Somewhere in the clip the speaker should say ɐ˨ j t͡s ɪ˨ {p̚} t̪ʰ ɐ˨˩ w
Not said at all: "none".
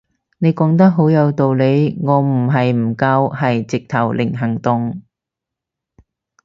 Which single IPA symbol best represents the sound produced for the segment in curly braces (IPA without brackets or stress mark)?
k̚